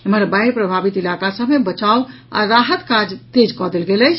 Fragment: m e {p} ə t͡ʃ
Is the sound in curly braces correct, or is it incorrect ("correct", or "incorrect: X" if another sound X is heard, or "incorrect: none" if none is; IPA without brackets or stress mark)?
incorrect: b